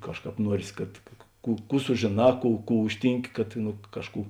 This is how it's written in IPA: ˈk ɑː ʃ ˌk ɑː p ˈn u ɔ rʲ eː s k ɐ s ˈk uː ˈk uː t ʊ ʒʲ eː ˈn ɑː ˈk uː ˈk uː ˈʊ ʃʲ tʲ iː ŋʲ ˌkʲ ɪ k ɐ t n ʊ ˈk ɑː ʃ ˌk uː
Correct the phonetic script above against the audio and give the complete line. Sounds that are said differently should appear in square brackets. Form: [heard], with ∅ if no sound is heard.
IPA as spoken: ˈk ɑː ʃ ˌk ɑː p ˈn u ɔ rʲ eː s k ɐ [t] ˈk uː ˈk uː [s] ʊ ʒʲ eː ˈn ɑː ˈk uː ˈk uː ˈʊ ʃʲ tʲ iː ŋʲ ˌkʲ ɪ k ɐ t n ʊ ˈk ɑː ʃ ˌk uː